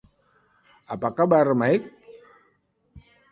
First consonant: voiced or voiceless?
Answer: voiceless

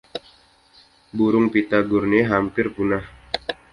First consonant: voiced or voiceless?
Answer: voiced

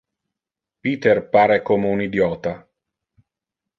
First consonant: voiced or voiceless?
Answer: voiceless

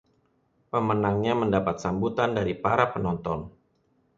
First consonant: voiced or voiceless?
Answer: voiceless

